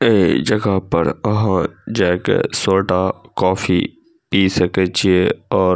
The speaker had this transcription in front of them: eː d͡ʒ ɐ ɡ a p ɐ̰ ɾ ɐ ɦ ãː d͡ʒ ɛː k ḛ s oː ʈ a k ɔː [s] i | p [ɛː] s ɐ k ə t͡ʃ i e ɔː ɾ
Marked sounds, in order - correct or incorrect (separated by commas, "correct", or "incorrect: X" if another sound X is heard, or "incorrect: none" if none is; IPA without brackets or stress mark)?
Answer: incorrect: f, incorrect: iː